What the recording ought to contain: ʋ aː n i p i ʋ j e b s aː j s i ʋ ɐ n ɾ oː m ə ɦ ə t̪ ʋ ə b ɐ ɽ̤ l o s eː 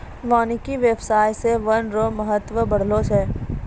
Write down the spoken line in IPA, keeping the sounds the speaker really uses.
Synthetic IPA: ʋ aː n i k i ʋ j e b s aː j s e ʋ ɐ n ɾ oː m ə ɦ ə t̪ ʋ ə b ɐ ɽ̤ l o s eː

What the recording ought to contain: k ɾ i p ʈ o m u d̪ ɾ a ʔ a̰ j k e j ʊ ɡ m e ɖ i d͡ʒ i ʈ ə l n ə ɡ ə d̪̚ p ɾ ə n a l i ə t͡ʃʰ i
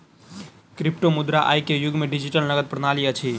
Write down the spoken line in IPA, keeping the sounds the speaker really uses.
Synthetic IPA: k ɾ i p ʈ o m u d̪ ɾ a ʔ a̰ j k e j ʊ ɡ m e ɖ i d͡ʒ i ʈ ə l n ə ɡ ə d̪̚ p ɾ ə n a l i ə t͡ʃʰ i

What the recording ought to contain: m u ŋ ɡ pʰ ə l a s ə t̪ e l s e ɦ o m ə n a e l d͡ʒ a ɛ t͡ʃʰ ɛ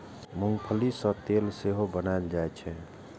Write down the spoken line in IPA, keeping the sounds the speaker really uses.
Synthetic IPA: m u ŋ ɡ pʰ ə l i s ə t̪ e l s e ɦ o b ə n a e l d͡ʒ a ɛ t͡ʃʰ ɛ

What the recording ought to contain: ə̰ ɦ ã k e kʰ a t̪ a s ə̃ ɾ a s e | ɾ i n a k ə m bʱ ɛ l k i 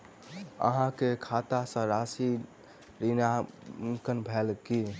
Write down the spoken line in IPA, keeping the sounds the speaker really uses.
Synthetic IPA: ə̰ ɦ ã k e kʰ a t̪ a s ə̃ ɾ a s i | ɾ i n a k ə n bʱ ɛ l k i

